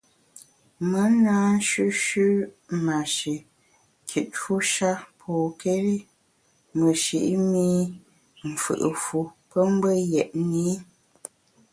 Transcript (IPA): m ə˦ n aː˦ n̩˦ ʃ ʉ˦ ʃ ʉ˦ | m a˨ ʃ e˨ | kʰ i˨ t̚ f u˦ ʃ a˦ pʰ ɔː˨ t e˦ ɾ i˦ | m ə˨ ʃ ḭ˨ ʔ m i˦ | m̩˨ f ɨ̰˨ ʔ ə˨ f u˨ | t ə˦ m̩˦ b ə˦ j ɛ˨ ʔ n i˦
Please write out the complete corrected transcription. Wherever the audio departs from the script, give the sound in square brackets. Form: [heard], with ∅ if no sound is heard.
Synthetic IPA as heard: m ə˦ n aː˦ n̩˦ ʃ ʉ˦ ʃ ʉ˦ | m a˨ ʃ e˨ | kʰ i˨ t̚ f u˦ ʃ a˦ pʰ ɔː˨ [k] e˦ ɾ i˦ | m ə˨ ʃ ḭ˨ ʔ m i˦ | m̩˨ f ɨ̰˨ ʔ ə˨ f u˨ | [p] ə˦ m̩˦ b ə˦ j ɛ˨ ʔ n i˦